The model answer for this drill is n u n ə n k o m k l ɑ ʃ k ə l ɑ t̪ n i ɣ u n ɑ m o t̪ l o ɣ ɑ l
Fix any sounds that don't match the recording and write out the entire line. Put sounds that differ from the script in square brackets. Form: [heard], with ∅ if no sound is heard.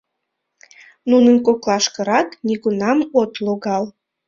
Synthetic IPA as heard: n u n ə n k o [∅] k l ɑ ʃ k ə [ɾ] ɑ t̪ n i ɣ u n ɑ m o t̪ l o ɣ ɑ l